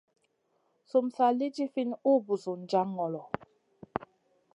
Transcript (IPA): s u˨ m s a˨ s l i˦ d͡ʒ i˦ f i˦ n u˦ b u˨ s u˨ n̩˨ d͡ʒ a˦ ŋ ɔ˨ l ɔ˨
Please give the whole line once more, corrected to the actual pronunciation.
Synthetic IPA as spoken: s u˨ m s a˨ l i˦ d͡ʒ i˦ f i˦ n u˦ b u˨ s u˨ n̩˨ d͡ʒ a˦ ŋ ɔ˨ l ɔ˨